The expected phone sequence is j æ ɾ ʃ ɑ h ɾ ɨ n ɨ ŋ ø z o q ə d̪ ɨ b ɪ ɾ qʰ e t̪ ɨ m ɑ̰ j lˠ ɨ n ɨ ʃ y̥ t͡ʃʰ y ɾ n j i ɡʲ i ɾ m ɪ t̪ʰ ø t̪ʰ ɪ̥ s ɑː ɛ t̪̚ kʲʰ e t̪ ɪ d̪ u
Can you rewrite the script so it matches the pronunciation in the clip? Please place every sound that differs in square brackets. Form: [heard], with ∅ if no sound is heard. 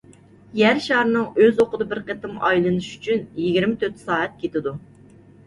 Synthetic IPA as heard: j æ ɾ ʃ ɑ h ɾ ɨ n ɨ ŋ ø z o q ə d̪ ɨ b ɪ ɾ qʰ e t̪ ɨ m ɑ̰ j lˠ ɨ n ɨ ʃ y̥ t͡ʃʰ y [∅] n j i ɡʲ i ɾ m ɪ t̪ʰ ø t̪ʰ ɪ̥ s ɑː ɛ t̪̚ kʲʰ e t̪ ɪ d̪ u